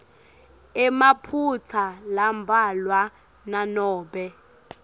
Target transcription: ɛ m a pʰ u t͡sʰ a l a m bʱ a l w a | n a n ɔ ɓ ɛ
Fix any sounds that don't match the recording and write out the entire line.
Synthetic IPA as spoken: ɛ m a pʰ u t͡sʰ a l a m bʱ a l w a | n a n ɔː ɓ ɛ